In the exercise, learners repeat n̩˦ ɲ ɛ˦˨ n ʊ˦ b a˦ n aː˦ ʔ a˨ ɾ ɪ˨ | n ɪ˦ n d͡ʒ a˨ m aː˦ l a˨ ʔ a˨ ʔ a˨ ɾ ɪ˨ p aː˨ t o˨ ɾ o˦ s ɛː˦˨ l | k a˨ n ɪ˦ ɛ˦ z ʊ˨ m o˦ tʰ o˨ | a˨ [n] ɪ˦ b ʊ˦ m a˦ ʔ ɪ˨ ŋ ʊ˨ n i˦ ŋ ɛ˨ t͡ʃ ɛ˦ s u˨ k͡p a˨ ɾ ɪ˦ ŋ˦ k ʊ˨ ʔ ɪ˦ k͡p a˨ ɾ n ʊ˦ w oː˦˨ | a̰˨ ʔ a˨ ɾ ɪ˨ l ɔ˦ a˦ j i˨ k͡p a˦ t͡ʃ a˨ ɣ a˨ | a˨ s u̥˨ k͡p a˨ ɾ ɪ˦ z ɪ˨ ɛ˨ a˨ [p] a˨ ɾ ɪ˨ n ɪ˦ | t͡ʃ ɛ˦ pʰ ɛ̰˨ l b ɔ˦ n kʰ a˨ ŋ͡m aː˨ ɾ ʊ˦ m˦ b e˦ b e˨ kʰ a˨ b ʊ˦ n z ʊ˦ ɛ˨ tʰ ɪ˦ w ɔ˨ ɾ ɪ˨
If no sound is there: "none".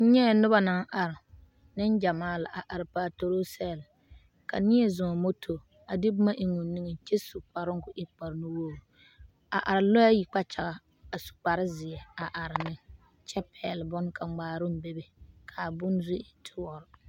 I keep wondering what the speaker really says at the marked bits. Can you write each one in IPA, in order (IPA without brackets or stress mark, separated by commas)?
d, ʔ